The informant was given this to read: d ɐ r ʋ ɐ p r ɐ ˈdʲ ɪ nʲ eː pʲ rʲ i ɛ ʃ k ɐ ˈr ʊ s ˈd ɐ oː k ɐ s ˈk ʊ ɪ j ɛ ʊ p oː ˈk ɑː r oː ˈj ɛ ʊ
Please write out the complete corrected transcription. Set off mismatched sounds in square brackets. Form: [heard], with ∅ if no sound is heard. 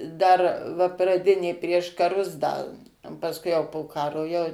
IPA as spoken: d ɐ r ʋ ɐ p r ɐ ˈdʲ ɪ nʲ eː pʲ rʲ i ɛ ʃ k ɐ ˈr ʊ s ˈd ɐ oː [p] ɐ s ˈk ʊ ɪ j ɛ ʊ p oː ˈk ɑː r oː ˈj ɛ ʊ